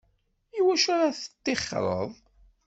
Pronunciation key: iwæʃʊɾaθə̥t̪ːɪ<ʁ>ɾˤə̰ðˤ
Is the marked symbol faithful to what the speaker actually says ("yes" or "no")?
no